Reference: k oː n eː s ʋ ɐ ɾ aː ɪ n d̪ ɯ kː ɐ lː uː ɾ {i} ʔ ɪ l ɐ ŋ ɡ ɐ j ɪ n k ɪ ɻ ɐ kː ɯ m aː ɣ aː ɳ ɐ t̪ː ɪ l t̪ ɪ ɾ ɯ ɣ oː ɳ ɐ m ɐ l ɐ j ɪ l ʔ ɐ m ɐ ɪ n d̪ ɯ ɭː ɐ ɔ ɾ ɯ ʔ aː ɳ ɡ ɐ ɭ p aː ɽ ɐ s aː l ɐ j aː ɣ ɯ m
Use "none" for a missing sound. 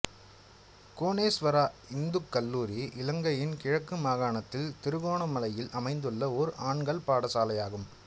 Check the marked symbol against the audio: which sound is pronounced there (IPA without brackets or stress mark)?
i